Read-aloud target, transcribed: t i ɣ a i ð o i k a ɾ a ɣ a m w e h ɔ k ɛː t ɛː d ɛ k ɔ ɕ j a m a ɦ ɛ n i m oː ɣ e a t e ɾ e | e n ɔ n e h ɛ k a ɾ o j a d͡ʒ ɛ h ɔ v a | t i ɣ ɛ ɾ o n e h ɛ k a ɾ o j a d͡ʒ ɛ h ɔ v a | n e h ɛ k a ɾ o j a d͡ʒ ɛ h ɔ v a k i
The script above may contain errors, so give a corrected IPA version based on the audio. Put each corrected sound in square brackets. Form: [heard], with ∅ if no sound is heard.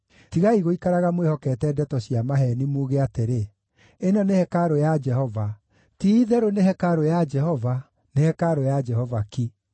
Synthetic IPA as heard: t i ɣ a i [ɣ] o i k a ɾ a ɣ a m w e h ɔ k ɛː t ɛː d ɛ [t] ɔ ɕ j a m a ɦ ɛ n i m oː ɣ e a t e ɾ e | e n ɔ n e h ɛ k a ɾ o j a d͡ʒ ɛ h ɔ v a | t i [ð] ɛ ɾ o n e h ɛ k a ɾ o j a d͡ʒ ɛ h ɔ v a | n e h ɛ k a ɾ o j a d͡ʒ ɛ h ɔ v a k i

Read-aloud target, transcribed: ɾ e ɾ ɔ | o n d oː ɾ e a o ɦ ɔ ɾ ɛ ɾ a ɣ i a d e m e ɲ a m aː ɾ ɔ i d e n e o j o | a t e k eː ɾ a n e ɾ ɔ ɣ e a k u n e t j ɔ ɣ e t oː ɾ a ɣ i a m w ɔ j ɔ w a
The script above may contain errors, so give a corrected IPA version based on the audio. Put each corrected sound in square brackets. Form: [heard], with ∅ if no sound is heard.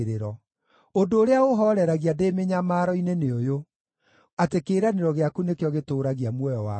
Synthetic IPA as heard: ɾ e ɾ ɔ | o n d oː ɾ e a o ɦ ɔ ɾ ɛ ɾ a ɣ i a d e m e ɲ a m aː ɾ ɔ i [n] e n e o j o | a t e k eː ɾ a n e ɾ ɔ ɣ e a k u n e [k] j ɔ ɣ e t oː ɾ a ɣ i a m w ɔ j ɔ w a

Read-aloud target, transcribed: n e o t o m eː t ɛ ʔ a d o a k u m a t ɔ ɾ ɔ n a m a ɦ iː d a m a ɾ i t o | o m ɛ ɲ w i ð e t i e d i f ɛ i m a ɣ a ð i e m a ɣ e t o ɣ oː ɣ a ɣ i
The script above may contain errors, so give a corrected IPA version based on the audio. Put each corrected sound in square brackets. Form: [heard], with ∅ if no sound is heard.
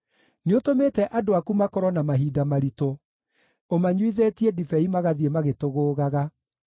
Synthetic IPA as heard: n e o t o m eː t ɛ ʔ a d o a k u m a [k] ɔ ɾ ɔ n a m a ɦ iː d a m a ɾ i t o | o m [a] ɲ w i ð e t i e d i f ɛ i m a ɣ a ð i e m a ɣ e t o ɣ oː ɣ a ɣ [a]

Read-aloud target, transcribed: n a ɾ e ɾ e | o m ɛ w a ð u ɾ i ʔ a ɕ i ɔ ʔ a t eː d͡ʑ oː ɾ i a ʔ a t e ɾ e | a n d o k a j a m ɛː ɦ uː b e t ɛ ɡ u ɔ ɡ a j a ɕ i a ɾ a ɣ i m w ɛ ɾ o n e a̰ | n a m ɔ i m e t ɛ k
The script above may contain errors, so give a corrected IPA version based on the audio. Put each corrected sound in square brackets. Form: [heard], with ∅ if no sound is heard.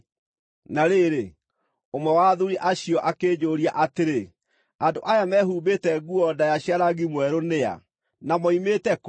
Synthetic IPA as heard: n a ɾ e ɾ e | o m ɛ w a ð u ɾ i ʔ a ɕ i ɔ ʔ a [k] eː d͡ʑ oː ɾ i a ʔ a t e ɾ e | a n d o [ʔ] a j a m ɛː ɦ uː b e t ɛ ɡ u ɔ [d] a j a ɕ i a ɾ a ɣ i m w ɛ ɾ o n e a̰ | n a m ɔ i m e t ɛ k

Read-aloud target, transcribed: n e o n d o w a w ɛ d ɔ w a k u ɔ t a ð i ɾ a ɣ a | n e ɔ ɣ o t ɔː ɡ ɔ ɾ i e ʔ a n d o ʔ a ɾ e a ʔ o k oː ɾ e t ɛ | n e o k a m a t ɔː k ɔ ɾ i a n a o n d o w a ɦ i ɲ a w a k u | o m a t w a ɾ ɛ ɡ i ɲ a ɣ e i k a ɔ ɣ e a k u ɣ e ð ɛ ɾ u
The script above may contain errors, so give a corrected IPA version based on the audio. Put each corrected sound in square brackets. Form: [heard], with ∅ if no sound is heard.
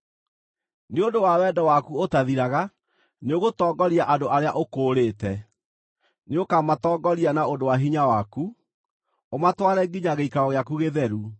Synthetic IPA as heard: n e o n d o w a w ɛ d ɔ w a k u [o] t a ð i ɾ a ɣ a | n e [o] ɣ o t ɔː ɡ ɔ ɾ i [a] ʔ a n d o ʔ a ɾ e a ʔ o k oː ɾ e t ɛ | n e o k a m a t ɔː [ɡ] ɔ ɾ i a n a o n d o w a ɦ i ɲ a w a k u | o m a t w a ɾ ɛ ɡ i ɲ a ɣ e i k a ɔ ɣ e a k u ɣ e ð ɛ ɾ u

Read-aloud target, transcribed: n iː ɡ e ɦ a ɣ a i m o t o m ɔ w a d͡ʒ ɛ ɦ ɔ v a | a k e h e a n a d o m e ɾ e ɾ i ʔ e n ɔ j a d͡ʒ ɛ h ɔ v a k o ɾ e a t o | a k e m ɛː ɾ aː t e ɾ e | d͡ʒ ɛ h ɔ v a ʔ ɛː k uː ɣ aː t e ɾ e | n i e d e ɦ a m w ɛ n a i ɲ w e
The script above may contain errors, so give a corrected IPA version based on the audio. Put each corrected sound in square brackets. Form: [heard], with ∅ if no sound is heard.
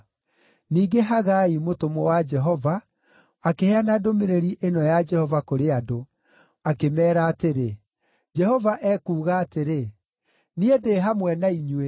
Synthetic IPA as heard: n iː ɡ e ɦ a ɣ a i m o t o m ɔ w a d͡ʒ ɛ ɦ ɔ v a | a k e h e a n a d o m e ɾ e ɾ i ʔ e n ɔ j a d͡ʒ ɛ h ɔ v a k o ɾ e a [d] o | a k e m ɛː ɾ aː t e ɾ e | d͡ʒ ɛ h ɔ v a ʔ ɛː k uː ɣ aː t e ɾ e | n i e d e ɦ a m w ɛ n a i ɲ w e

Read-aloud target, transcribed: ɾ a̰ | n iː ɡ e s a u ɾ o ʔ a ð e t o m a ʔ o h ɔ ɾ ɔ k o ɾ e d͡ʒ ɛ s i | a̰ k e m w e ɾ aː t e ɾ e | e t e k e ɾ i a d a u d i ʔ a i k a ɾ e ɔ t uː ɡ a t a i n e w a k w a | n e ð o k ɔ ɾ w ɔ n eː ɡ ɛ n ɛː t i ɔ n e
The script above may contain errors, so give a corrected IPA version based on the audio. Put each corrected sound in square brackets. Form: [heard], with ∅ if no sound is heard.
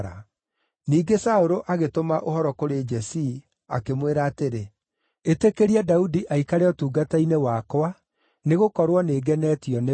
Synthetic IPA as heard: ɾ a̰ | n iː ɡ e s a [o] ɾ o ʔ a [ɣ] e t o m a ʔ o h ɔ ɾ ɔ k o ɾ e d͡ʒ ɛ s i | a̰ k e m w e ɾ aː t e ɾ e | e t e k e ɾ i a d a u d i ʔ a i k a ɾ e ɔ t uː ɡ a t a i n e w a k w a | n e [ɣ] o k ɔ ɾ w ɔ n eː ɡ ɛ n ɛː t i ɔ n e

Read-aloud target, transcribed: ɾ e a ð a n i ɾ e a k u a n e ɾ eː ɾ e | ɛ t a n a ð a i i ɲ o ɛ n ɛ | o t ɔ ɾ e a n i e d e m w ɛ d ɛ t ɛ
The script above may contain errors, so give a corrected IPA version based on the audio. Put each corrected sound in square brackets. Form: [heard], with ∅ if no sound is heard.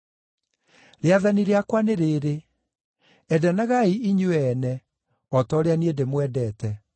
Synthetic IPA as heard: ɾ e a ð a n i ɾ e a k [w] a n e ɾ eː ɾ e | ɛ [d] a n a [ɣ] a i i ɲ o ɛ n ɛ | [ɔ] t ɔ ɾ e a n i e d e m w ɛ d ɛ t ɛ

